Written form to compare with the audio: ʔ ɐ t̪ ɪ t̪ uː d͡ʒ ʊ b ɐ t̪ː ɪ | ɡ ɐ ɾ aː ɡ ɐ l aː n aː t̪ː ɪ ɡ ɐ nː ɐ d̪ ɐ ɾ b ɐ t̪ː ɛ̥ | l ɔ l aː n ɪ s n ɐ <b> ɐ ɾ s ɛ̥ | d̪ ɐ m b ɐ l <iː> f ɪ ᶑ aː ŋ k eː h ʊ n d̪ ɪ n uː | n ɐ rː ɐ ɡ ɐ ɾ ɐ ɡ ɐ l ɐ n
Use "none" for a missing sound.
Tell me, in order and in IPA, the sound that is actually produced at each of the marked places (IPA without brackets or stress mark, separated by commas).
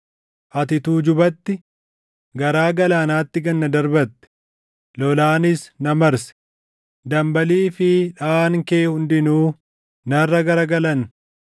m, iː